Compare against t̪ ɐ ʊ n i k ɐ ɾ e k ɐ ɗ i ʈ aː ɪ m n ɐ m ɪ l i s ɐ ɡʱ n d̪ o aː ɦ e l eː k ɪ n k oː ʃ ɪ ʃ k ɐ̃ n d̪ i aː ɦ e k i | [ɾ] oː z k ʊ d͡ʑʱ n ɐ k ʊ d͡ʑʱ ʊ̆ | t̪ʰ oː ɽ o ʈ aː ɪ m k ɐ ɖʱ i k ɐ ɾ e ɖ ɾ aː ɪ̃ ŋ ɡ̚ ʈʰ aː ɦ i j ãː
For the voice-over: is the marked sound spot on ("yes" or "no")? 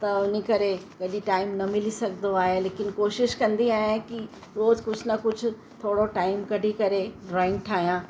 yes